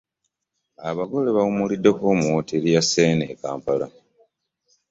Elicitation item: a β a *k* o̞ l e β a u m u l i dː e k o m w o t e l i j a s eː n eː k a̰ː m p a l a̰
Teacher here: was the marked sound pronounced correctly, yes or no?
no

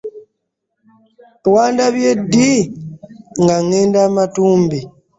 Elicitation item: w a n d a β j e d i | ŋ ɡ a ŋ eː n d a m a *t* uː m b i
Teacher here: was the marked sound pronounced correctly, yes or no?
yes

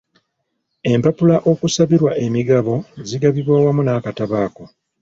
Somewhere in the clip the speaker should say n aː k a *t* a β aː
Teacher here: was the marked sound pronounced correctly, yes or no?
yes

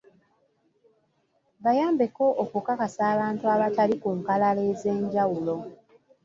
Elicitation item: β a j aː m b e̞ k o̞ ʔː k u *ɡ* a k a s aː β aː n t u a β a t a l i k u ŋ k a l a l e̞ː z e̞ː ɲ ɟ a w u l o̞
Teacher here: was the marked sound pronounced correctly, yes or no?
no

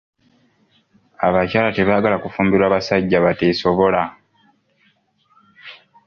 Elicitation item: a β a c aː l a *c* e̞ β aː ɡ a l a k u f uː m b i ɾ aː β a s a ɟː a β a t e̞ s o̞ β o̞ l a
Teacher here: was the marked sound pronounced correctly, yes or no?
no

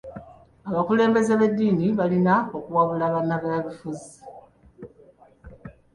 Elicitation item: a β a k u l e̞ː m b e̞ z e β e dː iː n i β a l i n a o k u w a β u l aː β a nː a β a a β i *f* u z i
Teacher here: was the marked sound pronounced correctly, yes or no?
yes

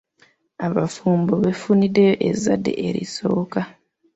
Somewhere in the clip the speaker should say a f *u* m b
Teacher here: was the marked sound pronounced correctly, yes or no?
no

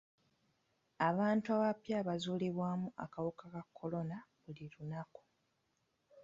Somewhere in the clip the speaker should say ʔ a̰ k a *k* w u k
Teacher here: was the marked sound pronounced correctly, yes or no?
no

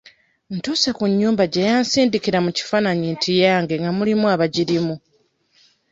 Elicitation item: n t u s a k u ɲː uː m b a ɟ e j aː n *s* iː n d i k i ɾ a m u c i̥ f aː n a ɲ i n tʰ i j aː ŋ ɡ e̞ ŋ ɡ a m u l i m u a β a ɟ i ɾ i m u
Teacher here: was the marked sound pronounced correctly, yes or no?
yes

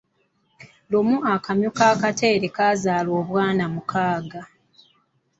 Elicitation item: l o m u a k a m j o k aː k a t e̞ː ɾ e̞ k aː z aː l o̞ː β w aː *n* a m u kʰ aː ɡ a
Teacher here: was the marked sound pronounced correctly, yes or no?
yes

